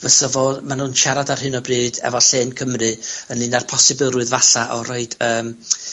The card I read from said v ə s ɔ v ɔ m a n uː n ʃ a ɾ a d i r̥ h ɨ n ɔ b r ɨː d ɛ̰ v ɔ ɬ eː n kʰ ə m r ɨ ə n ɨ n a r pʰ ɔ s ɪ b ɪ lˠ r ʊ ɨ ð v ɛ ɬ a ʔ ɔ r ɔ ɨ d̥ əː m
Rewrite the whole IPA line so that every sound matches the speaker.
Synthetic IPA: v ə s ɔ v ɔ m a n uː n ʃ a ɾ a d a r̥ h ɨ n ɔ b r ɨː d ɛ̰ v ɔ ɬ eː n kʰ ə m r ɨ ə n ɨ n a r pʰ ɔ s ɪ b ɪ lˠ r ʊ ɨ ð v a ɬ a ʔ ɔ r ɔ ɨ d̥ əː m